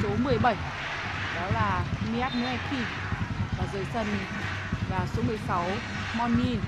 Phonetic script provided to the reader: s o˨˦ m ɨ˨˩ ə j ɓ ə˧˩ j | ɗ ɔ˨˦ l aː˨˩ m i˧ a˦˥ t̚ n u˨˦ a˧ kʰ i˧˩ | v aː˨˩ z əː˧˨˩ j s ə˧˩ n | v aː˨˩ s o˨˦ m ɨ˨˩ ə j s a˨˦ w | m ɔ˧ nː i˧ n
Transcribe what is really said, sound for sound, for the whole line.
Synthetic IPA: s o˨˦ m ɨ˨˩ ə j ɓ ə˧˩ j | ɗ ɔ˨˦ l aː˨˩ m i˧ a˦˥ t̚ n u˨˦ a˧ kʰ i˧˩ | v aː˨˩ z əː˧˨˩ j s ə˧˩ n | v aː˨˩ s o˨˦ m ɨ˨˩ ə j s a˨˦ w | m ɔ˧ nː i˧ n